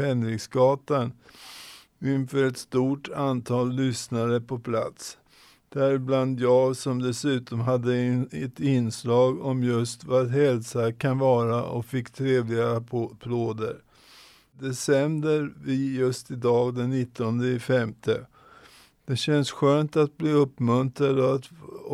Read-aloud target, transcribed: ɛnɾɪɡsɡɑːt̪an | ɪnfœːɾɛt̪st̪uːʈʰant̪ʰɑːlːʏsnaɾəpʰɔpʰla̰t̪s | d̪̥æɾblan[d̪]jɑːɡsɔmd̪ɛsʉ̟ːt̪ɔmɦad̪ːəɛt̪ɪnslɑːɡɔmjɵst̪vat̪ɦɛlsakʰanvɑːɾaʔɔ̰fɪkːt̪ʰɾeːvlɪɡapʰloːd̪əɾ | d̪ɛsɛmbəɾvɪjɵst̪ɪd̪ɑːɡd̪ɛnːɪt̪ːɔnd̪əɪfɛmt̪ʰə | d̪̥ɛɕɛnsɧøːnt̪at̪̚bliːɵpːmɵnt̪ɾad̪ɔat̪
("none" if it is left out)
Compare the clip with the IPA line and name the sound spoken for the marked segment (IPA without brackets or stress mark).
d̪